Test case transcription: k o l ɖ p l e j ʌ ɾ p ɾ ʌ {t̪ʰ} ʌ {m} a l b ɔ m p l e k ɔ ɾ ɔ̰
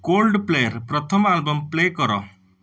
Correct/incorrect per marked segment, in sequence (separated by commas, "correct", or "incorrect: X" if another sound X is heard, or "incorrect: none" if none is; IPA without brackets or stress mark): correct, correct